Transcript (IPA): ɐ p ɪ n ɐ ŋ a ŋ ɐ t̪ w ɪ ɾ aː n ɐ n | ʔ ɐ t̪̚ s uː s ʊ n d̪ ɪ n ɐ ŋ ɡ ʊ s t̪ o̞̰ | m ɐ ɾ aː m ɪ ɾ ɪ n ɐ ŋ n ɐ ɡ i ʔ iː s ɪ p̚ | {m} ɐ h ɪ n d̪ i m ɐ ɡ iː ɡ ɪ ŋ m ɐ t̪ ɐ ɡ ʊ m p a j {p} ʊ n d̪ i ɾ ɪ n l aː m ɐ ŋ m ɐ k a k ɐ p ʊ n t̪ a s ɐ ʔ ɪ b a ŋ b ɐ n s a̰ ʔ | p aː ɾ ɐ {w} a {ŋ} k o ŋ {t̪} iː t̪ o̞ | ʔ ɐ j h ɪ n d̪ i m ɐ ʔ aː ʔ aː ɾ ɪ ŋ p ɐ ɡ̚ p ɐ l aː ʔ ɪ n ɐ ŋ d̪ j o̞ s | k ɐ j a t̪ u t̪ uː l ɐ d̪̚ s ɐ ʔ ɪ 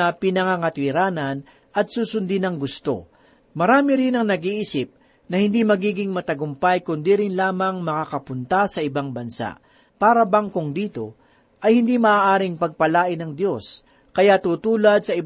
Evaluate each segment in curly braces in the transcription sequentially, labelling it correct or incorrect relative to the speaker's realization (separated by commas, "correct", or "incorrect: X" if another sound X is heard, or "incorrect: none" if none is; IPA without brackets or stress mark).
incorrect: n, incorrect: k, incorrect: b, correct, incorrect: d̪